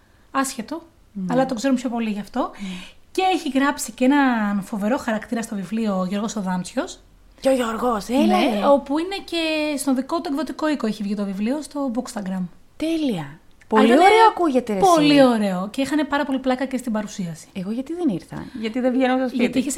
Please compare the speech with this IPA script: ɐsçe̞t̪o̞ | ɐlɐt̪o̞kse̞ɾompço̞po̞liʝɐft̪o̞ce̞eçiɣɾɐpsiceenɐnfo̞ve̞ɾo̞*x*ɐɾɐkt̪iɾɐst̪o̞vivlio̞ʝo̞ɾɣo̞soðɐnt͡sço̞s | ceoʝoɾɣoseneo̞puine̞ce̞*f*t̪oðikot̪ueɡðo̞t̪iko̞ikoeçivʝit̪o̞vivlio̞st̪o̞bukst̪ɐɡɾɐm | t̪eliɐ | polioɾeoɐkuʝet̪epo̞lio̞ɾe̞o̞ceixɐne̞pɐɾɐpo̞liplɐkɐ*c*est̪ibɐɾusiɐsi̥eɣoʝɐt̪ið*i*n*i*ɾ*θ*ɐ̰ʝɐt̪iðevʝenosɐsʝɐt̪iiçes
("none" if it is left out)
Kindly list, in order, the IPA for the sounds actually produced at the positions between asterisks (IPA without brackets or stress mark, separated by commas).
x, s, c, e, i, θ